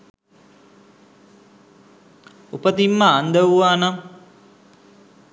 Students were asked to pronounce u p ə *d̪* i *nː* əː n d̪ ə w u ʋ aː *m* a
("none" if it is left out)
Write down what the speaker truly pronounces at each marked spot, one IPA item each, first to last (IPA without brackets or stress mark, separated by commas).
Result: t̪, mː, n